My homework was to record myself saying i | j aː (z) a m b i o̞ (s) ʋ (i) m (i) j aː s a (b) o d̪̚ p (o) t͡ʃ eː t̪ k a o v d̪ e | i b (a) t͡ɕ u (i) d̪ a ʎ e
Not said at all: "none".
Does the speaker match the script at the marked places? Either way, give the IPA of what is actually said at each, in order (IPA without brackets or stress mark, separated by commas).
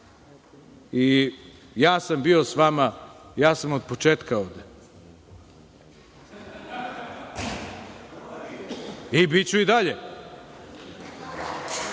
s, s, a, a, m, o, i, i